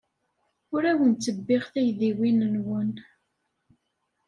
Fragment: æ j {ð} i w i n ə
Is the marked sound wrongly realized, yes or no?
no